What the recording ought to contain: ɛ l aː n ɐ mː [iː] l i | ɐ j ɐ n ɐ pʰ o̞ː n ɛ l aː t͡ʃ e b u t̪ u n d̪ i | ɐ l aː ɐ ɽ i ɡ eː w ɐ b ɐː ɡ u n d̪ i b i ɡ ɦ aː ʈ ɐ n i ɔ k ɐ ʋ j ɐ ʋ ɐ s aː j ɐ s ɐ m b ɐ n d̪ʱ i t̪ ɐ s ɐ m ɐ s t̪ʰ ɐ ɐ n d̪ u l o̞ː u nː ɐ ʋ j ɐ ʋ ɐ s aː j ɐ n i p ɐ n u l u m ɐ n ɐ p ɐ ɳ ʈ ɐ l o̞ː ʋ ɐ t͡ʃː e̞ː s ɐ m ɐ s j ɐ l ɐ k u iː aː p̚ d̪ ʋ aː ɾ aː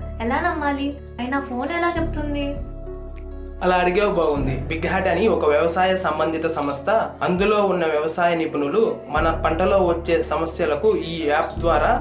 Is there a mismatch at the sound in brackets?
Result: yes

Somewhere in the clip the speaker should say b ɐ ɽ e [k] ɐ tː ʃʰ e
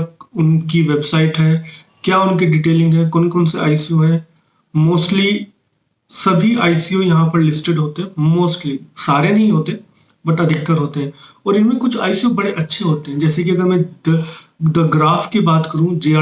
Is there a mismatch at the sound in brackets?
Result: yes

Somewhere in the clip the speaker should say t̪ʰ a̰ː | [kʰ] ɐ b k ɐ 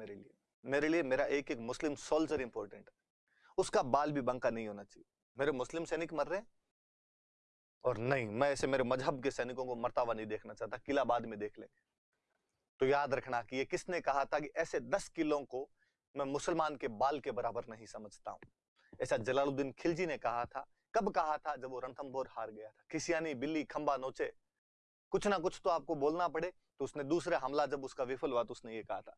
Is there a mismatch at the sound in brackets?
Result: yes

